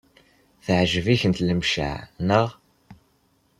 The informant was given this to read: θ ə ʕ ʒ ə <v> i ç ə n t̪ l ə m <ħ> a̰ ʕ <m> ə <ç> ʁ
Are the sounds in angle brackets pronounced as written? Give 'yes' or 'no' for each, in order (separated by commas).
yes, no, no, no